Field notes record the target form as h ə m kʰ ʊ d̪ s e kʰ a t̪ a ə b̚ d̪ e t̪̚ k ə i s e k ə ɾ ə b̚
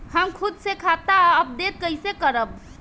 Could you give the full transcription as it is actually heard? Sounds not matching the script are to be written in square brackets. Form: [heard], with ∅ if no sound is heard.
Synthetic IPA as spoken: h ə m kʰ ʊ d̪ s e kʰ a t̪ a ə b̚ d̪ e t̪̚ k ə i s e k ə ɾ ə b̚